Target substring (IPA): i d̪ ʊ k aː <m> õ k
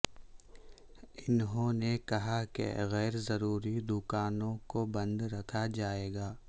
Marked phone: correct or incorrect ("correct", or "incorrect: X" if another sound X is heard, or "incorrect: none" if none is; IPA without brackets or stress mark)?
incorrect: n